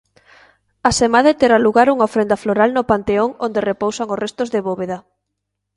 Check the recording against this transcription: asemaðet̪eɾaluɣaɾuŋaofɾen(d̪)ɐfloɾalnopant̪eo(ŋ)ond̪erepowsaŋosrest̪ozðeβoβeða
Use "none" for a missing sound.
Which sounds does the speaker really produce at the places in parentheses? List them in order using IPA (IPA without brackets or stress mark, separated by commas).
d̪, ŋ